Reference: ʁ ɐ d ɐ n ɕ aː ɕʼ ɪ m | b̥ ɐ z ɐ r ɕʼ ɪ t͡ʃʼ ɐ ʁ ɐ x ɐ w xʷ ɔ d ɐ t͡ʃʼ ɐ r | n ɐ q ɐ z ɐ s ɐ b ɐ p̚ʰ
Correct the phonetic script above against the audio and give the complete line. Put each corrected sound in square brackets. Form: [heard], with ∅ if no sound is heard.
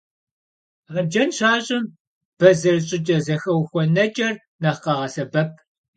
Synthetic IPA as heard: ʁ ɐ [d͡ʒ] ɐ n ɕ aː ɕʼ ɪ m | b̥ ɐ z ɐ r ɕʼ ɪ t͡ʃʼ ɐ [z] ɐ x ɐ w xʷ ɔ [n] ɐ t͡ʃʼ ɐ r | n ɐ q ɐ [ʁ] ɐ s ɐ b ɐ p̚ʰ